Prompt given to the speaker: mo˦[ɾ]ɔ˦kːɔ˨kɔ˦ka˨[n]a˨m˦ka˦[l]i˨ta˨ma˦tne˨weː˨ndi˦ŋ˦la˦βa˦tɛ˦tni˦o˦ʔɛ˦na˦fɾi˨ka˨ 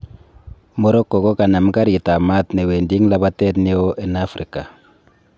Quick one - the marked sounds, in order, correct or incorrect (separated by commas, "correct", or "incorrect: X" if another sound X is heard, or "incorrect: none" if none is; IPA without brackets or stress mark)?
correct, correct, incorrect: ɾ